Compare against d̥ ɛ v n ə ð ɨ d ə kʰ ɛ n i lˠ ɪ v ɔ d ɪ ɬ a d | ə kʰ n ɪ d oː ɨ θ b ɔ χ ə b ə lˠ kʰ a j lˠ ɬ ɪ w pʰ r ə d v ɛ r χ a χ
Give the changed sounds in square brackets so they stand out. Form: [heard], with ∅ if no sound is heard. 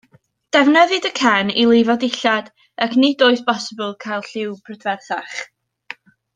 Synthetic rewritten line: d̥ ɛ v n ə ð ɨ d ə kʰ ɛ n i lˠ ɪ v ɔ d ɪ ɬ a d | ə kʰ n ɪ d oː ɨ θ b ɔ [s] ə b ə lˠ kʰ a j lˠ ɬ ɪ w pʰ r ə d v ɛ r [θ] a χ